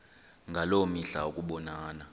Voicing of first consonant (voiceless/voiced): voiced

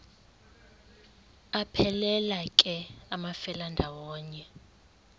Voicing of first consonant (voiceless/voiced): voiceless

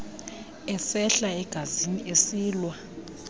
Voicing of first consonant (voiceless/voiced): voiceless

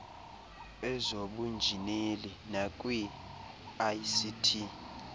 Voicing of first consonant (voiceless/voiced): voiced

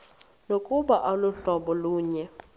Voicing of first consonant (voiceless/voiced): voiced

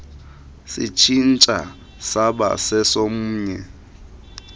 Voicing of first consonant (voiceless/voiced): voiceless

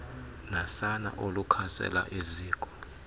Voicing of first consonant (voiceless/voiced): voiced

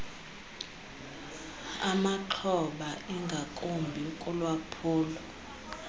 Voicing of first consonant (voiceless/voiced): voiced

